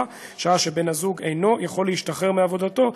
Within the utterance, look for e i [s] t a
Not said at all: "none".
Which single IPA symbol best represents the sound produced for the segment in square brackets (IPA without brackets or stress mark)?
ʃ